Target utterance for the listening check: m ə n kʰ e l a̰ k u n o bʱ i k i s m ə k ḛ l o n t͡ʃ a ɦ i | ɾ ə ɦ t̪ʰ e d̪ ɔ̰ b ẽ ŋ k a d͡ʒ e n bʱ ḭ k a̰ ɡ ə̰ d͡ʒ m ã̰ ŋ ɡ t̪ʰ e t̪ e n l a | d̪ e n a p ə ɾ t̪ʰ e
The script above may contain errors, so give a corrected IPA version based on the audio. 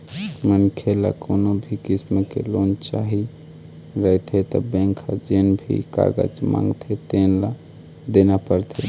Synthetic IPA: m ə n kʰ e l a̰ k o n o bʱ i k i s m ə k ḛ l o n t͡ʃ a ɦ i | ɾ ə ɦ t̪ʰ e t̪ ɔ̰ b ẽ ŋ kʰ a d͡ʒ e n bʱ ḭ k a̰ ɡ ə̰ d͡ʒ m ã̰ ŋ ɡ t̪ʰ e t̪ e n l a | d̪ e n a p ə ɾ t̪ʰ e